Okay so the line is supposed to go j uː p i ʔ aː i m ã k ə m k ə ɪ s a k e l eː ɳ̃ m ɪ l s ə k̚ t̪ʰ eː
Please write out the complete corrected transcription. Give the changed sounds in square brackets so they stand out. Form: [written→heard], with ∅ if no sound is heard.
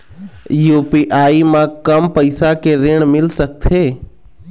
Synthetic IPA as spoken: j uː p i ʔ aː i m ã k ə m [k→p] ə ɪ s a k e [l→ɾ] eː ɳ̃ m ɪ l s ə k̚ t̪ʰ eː

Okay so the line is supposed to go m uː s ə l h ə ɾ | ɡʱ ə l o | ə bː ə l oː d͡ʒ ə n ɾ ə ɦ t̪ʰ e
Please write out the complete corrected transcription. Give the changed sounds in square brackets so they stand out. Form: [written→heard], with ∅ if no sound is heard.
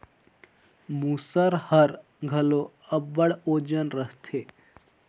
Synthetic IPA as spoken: m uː s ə [l→ɾ] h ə ɾ | ɡʱ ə l o | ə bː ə [l→ɽ] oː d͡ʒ ə n ɾ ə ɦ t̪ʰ e

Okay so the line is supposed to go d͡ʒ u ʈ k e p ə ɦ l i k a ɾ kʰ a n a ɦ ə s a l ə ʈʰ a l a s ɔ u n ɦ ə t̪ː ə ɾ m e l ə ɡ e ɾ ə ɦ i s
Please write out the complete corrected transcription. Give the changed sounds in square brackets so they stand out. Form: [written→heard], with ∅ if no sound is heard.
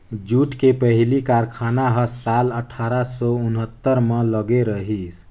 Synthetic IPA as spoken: d͡ʒ u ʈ k e p ə ɦ l i k a ɾ kʰ a n a ɦ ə s a l ə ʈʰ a [l→ɾ] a s ɔ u n ɦ ə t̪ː ə ɾ m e l ə ɡ e ɾ ə ɦ i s

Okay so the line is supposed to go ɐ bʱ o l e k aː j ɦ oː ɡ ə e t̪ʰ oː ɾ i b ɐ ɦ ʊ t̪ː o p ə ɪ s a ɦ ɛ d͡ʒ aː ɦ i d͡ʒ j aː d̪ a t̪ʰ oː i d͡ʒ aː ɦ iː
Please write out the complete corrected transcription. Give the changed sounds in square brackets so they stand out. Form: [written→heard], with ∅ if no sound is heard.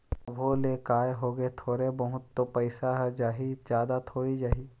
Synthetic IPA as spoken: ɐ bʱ o l e k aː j ɦ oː ɡ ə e t̪ʰ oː ɾ [i→e] b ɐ ɦ ʊ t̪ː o p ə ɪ s a ɦ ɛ d͡ʒ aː ɦ i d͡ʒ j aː d̪ a t̪ʰ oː i d͡ʒ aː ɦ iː

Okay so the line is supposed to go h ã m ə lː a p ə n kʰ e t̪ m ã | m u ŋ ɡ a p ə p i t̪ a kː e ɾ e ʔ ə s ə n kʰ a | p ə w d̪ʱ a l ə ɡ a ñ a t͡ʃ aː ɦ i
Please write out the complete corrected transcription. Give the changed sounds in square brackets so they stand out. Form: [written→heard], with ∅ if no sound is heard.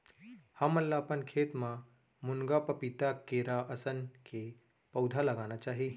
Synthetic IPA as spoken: h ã m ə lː a p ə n kʰ e t̪ m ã | m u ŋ ɡ a p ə p i t̪ a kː e ɾ [e→a] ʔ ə s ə n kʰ [a→e] | p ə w d̪ʱ a l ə ɡ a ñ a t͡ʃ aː ɦ i

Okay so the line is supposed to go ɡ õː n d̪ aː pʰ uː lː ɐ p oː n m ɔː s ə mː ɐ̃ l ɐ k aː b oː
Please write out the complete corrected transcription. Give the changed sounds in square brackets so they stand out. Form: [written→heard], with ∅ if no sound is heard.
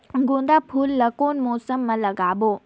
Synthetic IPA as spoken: ɡ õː n d̪ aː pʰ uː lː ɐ [p→k] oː n m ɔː s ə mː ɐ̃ l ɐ [k→ɡ] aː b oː

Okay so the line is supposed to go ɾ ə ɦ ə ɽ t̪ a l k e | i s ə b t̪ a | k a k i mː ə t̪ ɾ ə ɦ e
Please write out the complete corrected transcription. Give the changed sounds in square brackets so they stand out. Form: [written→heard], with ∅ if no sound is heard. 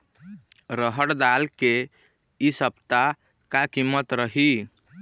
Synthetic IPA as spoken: ɾ ə ɦ ə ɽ [t̪→d̪] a l k e | i s ə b t̪ a | k a k i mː ə t̪ ɾ ə ɦ [e→i]

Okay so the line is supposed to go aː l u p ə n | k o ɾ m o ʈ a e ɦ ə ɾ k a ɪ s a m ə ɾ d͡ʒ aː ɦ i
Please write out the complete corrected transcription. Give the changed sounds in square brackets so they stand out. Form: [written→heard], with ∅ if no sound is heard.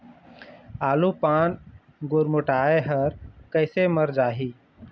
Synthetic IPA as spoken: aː l u p [ə→a] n | [k→ɡ] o ɾ m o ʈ a e ɦ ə ɾ k [a→ə] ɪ s [a→e] m ə ɾ d͡ʒ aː ɦ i

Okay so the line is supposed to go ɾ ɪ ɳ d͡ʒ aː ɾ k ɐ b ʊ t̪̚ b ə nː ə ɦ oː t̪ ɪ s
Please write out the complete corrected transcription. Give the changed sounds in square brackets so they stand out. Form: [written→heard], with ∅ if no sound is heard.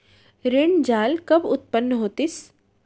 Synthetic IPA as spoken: ɾ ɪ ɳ d͡ʒ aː [ɾ→l] k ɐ b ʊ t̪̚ [b→p] ə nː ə ɦ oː t̪ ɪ s

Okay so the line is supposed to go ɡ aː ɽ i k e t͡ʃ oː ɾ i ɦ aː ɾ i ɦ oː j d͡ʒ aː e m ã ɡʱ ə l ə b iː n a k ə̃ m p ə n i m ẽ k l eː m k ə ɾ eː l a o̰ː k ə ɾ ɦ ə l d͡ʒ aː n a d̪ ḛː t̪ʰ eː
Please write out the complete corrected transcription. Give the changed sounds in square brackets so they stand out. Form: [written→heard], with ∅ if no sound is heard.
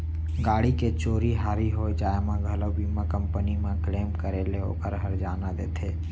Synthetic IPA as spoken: ɡ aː ɽ i k e t͡ʃ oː ɾ i ɦ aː ɾ i ɦ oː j d͡ʒ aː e m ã ɡʱ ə l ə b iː [n→m] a k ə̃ m p ə n i m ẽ k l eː m k ə ɾ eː l [a→e] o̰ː k ə ɾ ɦ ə [l→ɾ] d͡ʒ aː n a d̪ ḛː t̪ʰ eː

